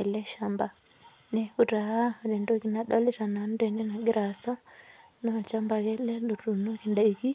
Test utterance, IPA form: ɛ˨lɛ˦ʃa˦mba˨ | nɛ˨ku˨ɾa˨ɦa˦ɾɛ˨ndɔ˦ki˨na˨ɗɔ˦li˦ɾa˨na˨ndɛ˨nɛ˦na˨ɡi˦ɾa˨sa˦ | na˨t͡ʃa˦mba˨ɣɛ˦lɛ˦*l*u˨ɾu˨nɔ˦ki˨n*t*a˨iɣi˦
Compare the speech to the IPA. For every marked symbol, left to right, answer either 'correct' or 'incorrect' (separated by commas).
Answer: correct, incorrect